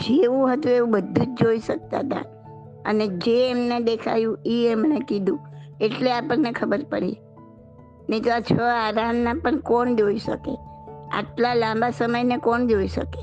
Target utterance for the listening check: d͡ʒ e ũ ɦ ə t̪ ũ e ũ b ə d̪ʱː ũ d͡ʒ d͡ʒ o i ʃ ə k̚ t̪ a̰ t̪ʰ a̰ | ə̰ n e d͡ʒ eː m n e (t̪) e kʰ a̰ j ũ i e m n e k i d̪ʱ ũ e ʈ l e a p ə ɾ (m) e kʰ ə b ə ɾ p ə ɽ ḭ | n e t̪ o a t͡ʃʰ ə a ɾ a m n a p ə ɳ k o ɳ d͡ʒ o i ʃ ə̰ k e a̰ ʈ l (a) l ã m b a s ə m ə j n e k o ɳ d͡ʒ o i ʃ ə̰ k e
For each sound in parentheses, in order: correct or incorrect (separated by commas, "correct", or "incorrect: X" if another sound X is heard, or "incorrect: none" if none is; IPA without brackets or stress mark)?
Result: incorrect: d̪, incorrect: n, correct